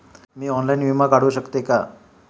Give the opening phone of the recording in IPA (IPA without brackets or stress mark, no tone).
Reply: m